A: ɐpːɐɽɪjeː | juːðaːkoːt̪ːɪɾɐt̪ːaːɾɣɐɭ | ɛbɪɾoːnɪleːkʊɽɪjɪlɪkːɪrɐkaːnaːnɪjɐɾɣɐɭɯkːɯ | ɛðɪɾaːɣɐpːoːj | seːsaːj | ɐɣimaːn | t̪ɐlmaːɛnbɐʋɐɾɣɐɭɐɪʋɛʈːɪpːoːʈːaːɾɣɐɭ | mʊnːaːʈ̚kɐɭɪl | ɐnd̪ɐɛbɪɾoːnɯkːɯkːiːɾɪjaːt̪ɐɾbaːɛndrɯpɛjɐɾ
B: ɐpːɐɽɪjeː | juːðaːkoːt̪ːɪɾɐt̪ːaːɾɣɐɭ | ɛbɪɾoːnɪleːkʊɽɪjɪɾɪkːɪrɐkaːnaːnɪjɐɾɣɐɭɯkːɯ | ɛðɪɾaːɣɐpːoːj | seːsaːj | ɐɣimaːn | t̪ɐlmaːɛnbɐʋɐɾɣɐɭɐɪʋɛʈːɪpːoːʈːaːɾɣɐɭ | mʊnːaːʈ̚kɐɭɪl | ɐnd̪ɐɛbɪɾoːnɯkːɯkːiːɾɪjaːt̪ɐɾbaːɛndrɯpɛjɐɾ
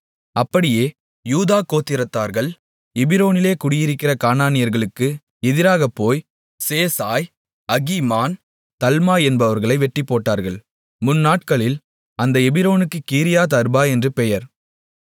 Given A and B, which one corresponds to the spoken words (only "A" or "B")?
B